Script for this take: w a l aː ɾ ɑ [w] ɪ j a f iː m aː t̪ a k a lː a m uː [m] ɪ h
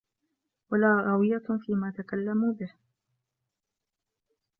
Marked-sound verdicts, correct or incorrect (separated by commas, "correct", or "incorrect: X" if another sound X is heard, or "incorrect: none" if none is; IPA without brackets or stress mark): correct, incorrect: b